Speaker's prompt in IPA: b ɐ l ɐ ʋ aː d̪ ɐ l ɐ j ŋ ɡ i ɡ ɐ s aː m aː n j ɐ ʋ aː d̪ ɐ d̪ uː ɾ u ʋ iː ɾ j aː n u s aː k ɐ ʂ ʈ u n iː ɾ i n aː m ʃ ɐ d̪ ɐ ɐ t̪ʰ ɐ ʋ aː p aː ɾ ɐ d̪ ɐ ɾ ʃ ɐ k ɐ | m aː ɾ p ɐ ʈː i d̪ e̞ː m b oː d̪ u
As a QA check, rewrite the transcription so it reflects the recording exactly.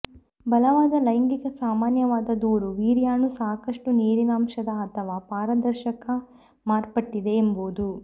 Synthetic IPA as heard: b ɐ l ɐ ʋ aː d̪ ɐ l ɐ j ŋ ɡ i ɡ ɐ s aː m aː n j ɐ ʋ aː d̪ ɐ d̪ uː ɾ u ʋ iː ɾ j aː n u s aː k ɐ ʂ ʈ u n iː ɾ i n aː m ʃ ɐ d̪ ɐ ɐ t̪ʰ ɐ ʋ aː p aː ɾ ɐ d̪ ɐ ɾ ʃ ɐ k ɐ | m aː ɾ p ɐ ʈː i d̪ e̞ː m b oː d̪ u